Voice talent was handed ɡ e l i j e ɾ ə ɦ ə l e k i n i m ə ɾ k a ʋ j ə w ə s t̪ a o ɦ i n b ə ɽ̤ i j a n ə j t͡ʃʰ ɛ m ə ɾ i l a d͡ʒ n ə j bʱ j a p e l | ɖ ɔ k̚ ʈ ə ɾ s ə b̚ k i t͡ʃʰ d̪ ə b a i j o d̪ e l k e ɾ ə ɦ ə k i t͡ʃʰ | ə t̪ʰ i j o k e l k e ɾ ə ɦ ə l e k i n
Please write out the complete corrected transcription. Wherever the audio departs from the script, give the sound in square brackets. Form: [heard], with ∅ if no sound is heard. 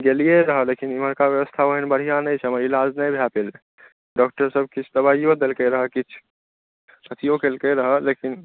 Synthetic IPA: ɡ e l i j e ɾ ə ɦ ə l e k i n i m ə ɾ k a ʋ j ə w ə s [t̪ʰ] a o ɦ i n b ə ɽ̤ i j a n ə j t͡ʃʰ ɛ m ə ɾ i l a d͡ʒ n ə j bʱ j a p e l | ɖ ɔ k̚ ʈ ə ɾ s ə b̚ k i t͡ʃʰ d̪ ə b a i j o d̪ e l k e ɾ ə ɦ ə k i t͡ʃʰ | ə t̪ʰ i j o k e l k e ɾ ə ɦ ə l e k i n